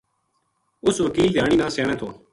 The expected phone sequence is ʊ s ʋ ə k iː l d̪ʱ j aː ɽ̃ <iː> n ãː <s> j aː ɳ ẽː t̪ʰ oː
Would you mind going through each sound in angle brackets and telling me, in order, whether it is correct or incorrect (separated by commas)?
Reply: correct, correct